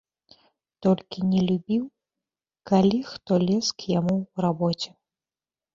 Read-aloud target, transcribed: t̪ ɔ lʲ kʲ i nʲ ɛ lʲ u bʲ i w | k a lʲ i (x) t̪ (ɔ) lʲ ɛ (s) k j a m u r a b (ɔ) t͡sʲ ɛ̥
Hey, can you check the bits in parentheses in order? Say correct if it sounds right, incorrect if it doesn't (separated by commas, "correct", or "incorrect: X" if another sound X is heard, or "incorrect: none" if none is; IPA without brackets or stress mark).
correct, correct, correct, correct